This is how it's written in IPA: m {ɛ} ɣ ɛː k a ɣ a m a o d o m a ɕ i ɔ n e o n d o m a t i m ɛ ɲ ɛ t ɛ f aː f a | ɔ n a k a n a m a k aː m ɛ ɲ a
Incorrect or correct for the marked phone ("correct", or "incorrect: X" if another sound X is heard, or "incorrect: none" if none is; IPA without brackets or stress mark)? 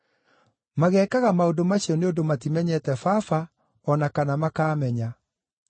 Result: incorrect: a